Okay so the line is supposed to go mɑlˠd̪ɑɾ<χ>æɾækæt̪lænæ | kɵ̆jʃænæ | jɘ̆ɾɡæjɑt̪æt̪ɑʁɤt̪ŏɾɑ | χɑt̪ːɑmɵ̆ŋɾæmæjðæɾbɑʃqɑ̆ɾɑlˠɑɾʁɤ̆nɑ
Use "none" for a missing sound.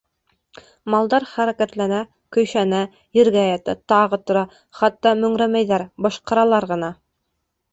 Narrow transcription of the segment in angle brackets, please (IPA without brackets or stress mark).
χ